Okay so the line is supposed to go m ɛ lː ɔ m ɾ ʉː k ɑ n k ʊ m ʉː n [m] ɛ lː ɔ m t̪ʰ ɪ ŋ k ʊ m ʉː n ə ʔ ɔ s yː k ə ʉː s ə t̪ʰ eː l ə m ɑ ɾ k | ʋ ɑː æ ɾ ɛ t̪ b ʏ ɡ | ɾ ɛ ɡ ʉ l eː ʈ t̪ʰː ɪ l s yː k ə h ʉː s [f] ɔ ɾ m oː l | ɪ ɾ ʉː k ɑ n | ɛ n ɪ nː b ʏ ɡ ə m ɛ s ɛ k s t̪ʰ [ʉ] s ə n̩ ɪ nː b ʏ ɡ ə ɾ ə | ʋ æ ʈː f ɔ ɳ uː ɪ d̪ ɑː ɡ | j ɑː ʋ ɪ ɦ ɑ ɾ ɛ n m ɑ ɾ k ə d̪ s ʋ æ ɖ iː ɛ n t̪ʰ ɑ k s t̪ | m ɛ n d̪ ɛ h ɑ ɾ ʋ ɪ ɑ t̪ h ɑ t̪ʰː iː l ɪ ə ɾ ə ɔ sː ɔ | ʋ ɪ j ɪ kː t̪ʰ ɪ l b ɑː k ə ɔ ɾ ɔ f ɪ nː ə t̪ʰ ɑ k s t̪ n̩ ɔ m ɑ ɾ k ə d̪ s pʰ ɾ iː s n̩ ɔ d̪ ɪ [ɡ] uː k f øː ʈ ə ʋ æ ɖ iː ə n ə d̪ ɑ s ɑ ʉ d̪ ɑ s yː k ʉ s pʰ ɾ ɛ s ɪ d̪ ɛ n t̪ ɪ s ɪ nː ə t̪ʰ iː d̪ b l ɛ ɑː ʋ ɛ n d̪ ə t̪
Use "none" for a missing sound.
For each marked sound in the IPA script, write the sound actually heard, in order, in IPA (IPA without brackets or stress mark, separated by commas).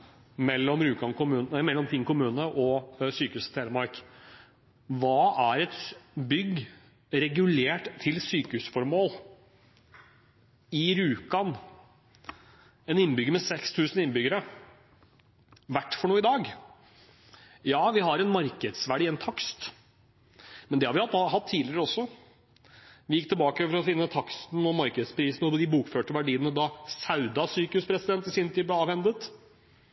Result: m, f, ʉː, b